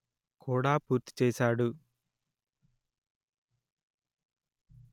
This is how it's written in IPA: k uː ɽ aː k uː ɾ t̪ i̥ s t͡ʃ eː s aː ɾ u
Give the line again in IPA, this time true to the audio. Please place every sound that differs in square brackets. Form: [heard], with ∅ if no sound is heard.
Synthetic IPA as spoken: k uː ɽ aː [p] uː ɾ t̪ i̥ [∅] t͡ʃ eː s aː [ɽ] u